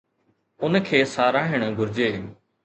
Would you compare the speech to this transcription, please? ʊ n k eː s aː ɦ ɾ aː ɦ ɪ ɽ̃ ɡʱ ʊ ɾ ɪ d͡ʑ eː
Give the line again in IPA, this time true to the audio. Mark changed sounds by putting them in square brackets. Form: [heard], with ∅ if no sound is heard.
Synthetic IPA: ʊ n [kʰ] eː s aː [∅] ɾ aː ɦ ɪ ɽ̃ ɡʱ ʊ ɾ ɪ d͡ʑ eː